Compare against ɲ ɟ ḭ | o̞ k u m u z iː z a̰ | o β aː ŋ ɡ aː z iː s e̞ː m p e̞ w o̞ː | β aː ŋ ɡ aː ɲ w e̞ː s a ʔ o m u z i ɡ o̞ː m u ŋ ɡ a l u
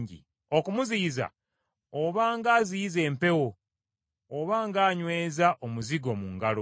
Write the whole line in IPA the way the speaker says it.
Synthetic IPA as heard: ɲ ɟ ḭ | o̞ k u m u z iː z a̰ | o β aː ŋ ɡ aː z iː z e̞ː m p e̞ w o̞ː | β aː ŋ ɡ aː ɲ w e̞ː z a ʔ o m u z i ɡ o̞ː m u ŋ ɡ a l o